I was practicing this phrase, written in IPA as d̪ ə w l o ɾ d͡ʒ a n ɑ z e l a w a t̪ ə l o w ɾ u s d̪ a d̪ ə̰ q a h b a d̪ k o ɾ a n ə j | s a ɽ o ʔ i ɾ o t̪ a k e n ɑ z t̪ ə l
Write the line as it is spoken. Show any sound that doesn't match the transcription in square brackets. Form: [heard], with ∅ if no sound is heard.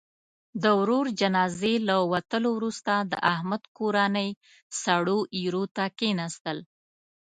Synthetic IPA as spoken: d̪ ə w [ɾ] o ɾ d͡ʒ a n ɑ z e l a w a t̪ ə l o w ɾ u s [t̪] a d̪ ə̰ [ʔ] a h [m] a d̪ k o ɾ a n ə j | s a ɽ o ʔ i ɾ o t̪ a k e n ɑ [s] t̪ ə l